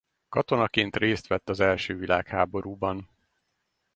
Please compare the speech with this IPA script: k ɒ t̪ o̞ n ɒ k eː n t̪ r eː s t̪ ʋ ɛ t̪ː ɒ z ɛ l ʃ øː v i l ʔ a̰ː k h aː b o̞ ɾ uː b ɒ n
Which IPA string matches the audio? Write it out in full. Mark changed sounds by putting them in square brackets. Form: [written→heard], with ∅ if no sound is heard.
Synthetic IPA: k ɒ t̪ o̞ n ɒ k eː n t̪ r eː s t̪ ʋ ɛ t̪ː ɒ z ɛ l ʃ øː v i l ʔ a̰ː k h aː b o̞ ɾ uː b ɒ n